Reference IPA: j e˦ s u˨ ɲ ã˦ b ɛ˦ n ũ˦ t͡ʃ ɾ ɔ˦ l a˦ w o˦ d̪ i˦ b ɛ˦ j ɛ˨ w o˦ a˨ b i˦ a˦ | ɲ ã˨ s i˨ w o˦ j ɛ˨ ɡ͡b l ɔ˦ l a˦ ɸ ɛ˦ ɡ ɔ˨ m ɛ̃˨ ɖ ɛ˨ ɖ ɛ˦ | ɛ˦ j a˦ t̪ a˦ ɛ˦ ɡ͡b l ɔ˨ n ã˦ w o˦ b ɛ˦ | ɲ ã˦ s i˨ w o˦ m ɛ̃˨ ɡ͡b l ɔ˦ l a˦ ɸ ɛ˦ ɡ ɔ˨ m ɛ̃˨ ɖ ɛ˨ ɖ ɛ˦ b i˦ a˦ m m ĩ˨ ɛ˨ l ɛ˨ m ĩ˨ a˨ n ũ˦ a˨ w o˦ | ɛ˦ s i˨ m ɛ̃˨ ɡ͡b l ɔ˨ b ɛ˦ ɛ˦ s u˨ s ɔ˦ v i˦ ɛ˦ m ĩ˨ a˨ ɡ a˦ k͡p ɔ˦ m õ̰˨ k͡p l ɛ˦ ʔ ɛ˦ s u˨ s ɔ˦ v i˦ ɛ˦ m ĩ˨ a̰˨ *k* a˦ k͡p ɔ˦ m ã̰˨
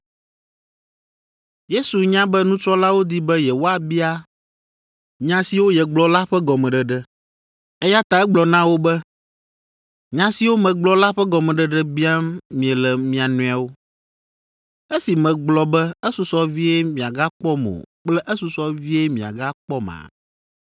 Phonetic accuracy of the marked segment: incorrect: ɡ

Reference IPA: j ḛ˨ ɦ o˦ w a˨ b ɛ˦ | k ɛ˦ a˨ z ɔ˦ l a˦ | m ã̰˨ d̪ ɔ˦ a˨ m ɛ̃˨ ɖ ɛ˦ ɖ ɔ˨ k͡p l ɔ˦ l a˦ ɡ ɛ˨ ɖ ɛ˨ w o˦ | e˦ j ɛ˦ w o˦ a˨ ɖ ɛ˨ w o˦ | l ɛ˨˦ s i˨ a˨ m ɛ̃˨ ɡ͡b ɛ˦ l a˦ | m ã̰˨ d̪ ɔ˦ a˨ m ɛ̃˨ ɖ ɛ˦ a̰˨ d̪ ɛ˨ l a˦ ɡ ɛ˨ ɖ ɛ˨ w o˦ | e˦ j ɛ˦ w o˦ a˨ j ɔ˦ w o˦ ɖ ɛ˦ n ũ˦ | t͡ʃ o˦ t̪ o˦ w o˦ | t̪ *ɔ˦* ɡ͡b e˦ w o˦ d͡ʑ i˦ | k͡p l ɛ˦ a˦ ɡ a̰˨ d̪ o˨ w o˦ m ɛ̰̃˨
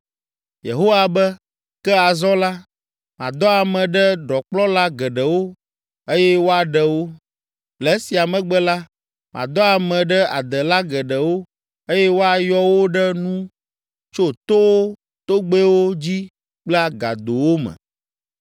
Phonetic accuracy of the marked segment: incorrect: o˦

